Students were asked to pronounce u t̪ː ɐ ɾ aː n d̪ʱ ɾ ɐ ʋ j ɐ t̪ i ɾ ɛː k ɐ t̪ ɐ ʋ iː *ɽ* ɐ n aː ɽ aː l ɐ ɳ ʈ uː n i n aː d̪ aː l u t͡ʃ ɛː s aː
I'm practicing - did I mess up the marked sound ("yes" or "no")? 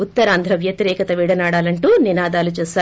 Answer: no